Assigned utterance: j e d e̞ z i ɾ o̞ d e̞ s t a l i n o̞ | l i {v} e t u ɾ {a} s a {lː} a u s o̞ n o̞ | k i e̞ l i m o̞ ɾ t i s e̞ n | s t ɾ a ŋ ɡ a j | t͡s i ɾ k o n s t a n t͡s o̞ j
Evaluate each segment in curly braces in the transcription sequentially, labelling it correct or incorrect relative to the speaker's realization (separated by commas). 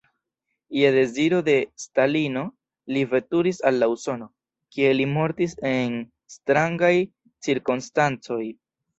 correct, incorrect, correct